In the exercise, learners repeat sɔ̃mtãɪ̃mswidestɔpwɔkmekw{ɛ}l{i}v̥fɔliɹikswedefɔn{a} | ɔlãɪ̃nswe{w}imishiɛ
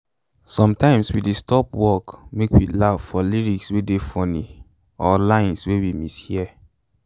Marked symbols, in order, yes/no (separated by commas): no, no, no, yes